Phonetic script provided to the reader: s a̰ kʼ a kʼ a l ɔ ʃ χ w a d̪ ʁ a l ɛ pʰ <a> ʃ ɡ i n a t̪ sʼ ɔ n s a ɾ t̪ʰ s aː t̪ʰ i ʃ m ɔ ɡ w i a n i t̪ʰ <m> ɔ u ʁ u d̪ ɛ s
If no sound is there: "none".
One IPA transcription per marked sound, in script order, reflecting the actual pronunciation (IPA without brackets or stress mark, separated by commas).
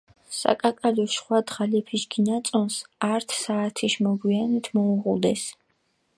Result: i, m